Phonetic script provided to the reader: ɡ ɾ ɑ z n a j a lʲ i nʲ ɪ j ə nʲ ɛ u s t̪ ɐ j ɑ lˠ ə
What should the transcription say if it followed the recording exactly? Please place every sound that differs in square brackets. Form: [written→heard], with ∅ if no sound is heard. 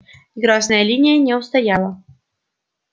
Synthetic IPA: ɡ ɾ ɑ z n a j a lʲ i nʲ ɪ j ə nʲ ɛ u s t̪ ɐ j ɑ lˠ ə